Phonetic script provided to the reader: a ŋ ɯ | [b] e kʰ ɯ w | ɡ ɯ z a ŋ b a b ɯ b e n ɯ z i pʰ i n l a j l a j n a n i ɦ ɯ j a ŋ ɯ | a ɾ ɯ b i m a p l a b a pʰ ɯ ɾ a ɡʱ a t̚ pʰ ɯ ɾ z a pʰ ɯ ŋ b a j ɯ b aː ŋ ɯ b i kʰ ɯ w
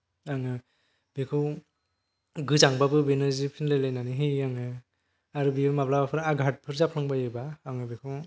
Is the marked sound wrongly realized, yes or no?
no